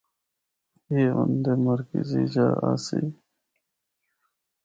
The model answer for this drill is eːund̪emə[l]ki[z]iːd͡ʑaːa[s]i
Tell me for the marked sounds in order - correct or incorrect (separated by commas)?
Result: incorrect, correct, correct